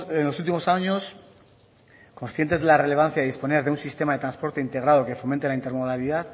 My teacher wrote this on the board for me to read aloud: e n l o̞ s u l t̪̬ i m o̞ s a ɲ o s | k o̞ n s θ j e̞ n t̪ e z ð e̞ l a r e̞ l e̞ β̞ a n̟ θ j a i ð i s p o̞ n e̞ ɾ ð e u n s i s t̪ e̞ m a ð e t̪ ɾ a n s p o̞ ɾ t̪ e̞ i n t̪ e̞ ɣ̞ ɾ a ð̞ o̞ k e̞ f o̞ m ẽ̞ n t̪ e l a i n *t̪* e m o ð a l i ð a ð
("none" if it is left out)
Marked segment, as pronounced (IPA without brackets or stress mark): t̪